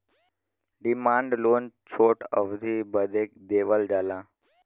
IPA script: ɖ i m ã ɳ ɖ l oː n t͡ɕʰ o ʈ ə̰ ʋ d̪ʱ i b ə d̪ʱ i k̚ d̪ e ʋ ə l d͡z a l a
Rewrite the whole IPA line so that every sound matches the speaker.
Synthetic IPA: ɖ i m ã ɳ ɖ l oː n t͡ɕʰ o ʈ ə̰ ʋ d̪ʱ i b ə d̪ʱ e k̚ d̪ e ʋ ə l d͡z a l a